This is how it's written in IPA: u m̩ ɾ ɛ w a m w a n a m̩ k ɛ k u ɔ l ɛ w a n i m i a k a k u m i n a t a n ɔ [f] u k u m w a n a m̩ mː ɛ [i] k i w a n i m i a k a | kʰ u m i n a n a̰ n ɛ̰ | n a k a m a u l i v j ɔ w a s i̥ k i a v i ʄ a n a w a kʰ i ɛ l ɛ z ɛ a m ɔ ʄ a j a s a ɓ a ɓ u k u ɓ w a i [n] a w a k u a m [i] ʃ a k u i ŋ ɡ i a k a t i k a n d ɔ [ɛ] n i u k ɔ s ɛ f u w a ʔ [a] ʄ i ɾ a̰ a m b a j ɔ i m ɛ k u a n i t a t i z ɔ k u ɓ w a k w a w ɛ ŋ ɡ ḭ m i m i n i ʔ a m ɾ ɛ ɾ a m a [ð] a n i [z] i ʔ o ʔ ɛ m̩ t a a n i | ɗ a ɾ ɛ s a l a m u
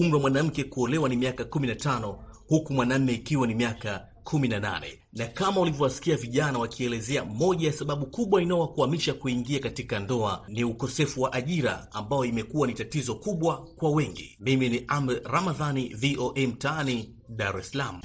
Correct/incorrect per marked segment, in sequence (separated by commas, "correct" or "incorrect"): incorrect, correct, correct, correct, incorrect, correct, correct, incorrect